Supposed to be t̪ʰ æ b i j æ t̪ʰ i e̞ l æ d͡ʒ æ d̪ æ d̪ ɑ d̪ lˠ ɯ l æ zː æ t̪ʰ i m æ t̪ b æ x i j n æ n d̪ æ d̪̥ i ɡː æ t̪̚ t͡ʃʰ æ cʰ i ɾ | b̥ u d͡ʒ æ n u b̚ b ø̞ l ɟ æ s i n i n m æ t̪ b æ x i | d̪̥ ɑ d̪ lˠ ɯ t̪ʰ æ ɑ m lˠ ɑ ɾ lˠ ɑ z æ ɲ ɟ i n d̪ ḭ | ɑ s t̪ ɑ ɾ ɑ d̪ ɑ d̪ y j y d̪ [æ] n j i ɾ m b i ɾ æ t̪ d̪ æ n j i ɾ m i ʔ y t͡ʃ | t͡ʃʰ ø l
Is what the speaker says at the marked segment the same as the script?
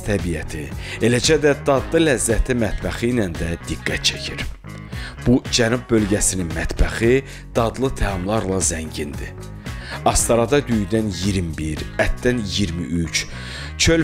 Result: yes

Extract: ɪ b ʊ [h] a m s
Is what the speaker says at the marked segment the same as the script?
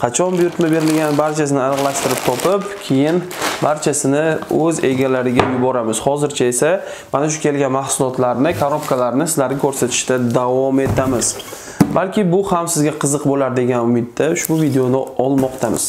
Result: yes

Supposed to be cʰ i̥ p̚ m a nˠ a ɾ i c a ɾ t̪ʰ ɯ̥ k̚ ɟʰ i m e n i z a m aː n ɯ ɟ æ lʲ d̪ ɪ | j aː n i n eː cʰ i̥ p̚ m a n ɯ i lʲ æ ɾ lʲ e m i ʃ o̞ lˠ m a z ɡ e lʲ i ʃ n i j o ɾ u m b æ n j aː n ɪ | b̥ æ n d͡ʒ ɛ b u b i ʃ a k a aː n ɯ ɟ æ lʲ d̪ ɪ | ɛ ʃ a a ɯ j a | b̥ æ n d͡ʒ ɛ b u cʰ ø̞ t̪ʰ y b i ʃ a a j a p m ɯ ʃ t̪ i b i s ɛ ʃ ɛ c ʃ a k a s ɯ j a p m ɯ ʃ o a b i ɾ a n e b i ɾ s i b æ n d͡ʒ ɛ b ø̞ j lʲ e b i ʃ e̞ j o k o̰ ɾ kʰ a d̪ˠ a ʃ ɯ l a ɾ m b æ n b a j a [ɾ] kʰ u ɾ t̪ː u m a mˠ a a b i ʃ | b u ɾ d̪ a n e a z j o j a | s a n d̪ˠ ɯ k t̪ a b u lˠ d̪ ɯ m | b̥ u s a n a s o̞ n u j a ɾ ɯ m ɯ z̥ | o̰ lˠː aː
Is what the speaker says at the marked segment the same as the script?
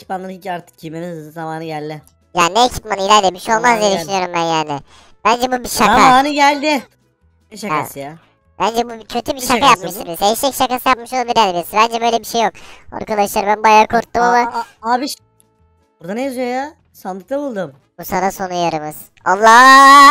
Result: yes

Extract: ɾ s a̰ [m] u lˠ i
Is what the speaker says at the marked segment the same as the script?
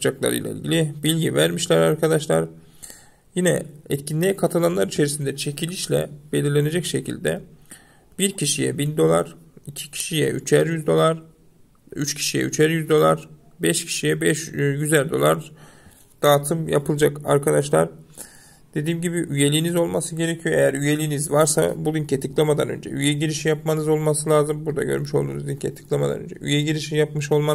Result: no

